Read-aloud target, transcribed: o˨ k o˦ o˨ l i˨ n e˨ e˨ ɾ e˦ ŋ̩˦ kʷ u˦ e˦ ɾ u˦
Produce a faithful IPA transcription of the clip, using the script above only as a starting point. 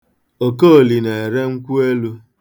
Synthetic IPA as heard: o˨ k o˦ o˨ l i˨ n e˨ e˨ ɾ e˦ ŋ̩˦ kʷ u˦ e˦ l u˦